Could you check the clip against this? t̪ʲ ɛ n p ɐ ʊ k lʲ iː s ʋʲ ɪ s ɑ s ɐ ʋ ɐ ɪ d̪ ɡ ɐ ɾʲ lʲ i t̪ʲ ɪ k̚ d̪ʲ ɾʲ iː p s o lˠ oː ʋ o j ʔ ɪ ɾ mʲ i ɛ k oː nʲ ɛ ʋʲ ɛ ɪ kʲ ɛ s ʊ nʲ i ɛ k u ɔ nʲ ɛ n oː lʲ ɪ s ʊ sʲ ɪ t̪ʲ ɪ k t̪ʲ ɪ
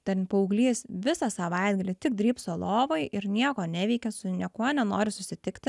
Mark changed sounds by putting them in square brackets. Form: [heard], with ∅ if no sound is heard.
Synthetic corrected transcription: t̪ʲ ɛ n p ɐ ʊ [ɡ] lʲ iː s ʋʲ ɪ s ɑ s ɐ ʋ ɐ ɪ d̪ ɡ ɐ [∅] lʲ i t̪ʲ ɪ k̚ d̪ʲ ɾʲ iː p s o lˠ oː ʋ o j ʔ ɪ ɾ [nʲ] i ɛ k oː nʲ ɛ ʋʲ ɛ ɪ kʲ ɛ s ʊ nʲ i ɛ k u ɔ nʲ ɛ n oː [ɾʲ] ɪ s ʊ sʲ ɪ t̪ʲ ɪ k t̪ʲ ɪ

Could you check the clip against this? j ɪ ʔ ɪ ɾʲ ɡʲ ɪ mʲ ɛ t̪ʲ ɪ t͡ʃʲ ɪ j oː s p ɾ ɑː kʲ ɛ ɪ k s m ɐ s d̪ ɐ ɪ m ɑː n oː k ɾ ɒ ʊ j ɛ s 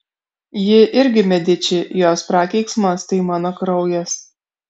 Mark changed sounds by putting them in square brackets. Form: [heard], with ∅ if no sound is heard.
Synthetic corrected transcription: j ɪ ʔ ɪ ɾʲ ɡʲ ɪ mʲ ɛ [d̪ʲ] ɪ t͡ʃʲ ɪ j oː s p ɾ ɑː kʲ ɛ ɪ k s m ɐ s [t̪] ɐ ɪ m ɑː n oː k ɾ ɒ ʊ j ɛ s

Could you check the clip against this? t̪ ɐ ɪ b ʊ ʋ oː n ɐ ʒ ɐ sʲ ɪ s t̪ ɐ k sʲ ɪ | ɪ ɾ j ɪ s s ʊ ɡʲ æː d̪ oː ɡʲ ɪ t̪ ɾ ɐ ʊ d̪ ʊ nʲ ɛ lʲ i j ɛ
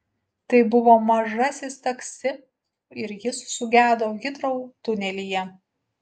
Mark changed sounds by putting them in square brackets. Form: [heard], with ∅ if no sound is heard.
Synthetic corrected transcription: t̪ ɐ ɪ b ʊ ʋ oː [m] ɐ ʒ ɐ sʲ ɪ s t̪ ɐ k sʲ ɪ | ɪ ɾ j ɪ s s ʊ ɡʲ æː d̪ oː ɡʲ ɪ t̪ ɾ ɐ ʊ [t̪] ʊ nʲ ɛ lʲ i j ɛ

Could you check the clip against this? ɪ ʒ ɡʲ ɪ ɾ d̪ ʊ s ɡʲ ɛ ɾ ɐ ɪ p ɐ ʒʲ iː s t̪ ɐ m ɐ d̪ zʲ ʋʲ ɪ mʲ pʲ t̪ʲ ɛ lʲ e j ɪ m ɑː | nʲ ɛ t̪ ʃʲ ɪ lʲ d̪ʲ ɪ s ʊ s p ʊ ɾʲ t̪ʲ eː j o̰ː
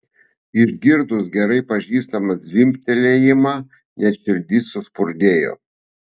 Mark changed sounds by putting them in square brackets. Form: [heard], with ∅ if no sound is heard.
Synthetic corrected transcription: ɪ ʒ ɡʲ ɪ ɾ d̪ ʊ s ɡʲ ɛ ɾ ɐ ɪ p ɐ ʒʲ iː s t̪ ɐ m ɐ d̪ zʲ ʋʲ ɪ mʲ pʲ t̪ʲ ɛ lʲ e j ɪ m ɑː | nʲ ɛ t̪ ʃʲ ɪ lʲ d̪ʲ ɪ s ʊ s p ʊ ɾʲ [d̪ʲ] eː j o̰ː

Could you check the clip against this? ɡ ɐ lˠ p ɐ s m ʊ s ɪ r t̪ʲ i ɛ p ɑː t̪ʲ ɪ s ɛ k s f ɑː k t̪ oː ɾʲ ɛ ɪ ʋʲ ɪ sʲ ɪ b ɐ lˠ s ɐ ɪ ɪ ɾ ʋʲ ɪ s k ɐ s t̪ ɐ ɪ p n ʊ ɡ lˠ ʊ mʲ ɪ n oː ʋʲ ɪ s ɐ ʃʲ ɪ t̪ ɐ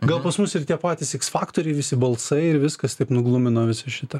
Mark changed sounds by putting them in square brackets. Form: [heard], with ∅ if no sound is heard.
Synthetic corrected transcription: ɡ ɐ lˠ p ɐ s m ʊ s ɪ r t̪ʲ i ɛ p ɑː t̪ʲ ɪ s ɛ k s f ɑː k t̪ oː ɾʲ ɛ ɪ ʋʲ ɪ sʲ ɪ b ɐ lˠ s ɐ ɪ ɪ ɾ ʋʲ ɪ s k ɐ s t̪ ɐ ɪ p n ʊ ɡ lˠ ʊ mʲ ɪ n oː ʋʲ ɪ s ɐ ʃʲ ɪ t̪ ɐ

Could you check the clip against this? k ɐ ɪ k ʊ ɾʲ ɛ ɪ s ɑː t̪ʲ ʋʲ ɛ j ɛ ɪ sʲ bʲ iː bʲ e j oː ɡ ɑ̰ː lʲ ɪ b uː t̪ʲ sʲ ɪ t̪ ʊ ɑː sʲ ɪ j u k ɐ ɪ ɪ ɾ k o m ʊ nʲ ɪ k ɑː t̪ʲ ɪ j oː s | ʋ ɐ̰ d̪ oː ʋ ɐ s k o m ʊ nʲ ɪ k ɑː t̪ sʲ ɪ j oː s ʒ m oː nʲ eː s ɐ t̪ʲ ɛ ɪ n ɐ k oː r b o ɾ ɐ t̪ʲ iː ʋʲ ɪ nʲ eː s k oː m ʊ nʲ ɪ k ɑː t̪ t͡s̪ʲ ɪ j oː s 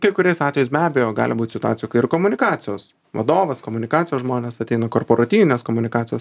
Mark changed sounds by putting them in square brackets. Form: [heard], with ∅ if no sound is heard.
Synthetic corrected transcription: k ɐ ɪ k ʊ ɾʲ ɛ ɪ s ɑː t̪ʲ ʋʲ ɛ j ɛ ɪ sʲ bʲ [æː] bʲ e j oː ɡ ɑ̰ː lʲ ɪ b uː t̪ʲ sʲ ɪ t̪ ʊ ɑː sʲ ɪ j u k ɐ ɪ ɪ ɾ k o m ʊ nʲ ɪ k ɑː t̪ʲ ɪ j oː s | ʋ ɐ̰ d̪ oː ʋ ɐ s k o m ʊ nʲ ɪ k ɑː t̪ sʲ ɪ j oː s ʒ m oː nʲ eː s ɐ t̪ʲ ɛ ɪ n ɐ k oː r [p] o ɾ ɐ t̪ʲ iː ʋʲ ɪ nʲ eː s k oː m ʊ nʲ ɪ k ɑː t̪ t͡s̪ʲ ɪ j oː s

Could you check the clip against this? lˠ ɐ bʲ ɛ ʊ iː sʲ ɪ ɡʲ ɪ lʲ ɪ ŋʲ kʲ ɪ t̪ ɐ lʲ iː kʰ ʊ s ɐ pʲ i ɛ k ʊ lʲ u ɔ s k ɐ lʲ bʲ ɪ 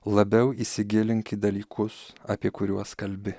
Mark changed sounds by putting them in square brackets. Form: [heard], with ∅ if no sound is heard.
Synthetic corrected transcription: lˠ ɐ bʲ ɛ ʊ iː sʲ ɪ ɡʲ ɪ lʲ ɪ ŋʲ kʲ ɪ [d̪] ɐ lʲ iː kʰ ʊ s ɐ pʲ i ɛ k ʊ [ɾʲ] u ɔ s k ɐ lʲ bʲ ɪ

